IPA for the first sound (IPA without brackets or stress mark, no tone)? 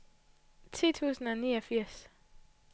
t͡sʰ